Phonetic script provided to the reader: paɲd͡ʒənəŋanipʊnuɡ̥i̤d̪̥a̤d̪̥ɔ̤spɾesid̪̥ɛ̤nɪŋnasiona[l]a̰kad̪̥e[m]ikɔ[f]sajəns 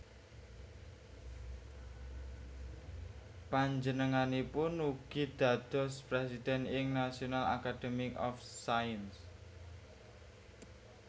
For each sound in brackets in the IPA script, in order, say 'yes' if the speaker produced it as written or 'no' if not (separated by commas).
yes, yes, yes